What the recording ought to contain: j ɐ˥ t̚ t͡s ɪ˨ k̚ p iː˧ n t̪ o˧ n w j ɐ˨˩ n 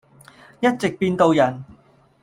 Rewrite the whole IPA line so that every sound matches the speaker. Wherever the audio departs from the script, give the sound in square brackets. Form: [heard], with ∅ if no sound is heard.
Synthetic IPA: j ɐ˥ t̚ t͡s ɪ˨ k̚ p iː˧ n t̪ o˧ [∅] w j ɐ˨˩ n